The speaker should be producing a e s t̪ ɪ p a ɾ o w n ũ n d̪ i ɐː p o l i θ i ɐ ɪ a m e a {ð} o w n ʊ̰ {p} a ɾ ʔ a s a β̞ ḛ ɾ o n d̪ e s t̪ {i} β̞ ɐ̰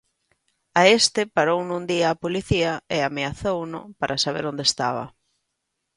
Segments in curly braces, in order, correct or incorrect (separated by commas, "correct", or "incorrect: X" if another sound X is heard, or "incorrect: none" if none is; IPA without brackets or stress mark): incorrect: θ, correct, incorrect: a